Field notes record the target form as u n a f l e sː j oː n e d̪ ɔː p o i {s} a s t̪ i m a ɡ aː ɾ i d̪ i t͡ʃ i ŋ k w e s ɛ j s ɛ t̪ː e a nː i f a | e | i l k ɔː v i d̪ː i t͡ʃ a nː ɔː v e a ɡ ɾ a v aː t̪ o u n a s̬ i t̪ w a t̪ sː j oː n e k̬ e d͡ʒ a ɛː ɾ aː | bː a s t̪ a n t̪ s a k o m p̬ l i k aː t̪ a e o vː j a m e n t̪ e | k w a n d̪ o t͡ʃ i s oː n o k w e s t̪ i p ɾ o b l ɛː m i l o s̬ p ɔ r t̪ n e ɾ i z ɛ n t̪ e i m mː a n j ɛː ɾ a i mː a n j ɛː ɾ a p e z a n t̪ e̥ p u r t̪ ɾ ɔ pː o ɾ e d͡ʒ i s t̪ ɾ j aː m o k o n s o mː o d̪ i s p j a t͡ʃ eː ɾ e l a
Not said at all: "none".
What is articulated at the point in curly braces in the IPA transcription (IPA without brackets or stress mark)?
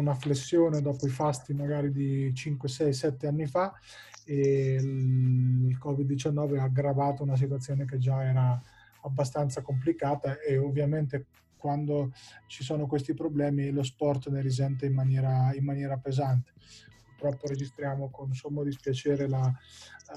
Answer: f